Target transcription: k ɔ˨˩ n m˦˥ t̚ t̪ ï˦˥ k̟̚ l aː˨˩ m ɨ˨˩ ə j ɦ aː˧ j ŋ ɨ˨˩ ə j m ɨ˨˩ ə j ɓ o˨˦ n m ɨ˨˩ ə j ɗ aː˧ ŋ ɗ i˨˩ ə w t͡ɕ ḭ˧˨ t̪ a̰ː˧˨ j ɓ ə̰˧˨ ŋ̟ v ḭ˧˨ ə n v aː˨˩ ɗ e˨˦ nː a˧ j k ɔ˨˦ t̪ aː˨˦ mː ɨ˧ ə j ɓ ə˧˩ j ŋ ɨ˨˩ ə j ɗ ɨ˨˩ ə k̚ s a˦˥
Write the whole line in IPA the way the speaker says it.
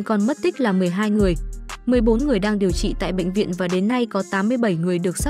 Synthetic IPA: k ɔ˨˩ n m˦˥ t̚ t̪ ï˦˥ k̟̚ l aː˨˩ m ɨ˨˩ ə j ɦ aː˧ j ŋ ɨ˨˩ ə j m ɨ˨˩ ə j ɓ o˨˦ n ŋ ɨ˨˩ ə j ɗ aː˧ ŋ ɗ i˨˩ ə w t͡ɕ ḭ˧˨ t̪ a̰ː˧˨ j ɓ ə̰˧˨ ŋ̟ v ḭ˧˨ ə n v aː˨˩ ɗ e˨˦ nː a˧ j k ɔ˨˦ t̪ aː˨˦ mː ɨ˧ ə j ɓ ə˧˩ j ŋ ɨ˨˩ ə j ɗ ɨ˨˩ ə k̚ s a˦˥